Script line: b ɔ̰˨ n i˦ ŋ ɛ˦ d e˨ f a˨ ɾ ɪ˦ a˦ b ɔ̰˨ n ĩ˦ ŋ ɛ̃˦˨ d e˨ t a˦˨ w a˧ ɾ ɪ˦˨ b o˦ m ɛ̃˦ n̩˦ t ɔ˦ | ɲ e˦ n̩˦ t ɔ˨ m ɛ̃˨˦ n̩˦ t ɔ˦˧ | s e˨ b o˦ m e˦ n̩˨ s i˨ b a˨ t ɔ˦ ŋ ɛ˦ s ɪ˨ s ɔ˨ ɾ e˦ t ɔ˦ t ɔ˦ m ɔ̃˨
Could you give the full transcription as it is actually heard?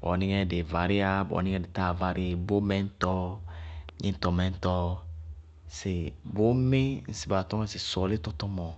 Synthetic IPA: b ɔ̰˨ n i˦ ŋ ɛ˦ d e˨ v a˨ ɾ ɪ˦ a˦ b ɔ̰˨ n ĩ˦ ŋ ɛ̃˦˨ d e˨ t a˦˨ v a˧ ɾ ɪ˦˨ b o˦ m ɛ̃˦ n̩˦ t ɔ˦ | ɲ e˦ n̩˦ t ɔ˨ m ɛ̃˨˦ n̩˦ t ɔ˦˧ | s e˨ b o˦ m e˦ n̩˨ s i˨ b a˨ t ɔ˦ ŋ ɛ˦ s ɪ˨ s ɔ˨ l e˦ t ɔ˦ t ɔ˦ m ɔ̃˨

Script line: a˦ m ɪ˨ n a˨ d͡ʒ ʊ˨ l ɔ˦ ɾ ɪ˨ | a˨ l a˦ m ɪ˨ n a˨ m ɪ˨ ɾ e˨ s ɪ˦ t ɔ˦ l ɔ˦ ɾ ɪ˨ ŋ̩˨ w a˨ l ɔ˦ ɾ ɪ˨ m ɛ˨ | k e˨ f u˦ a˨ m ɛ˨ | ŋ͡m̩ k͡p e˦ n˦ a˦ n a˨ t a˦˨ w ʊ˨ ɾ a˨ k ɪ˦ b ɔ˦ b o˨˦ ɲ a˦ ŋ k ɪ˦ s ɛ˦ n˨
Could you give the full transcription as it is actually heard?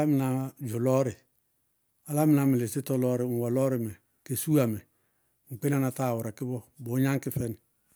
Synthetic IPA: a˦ m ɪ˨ n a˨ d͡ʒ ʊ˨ l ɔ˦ ɾ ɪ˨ | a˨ l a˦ m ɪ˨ n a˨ m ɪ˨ l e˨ s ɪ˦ t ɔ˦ l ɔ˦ ɾ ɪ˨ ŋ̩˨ w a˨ l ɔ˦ ɾ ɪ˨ m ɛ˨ | k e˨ s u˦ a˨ m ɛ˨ | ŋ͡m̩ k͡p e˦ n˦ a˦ n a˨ t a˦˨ w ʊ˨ ɾ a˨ k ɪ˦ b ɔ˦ b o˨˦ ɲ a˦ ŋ k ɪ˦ f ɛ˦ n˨

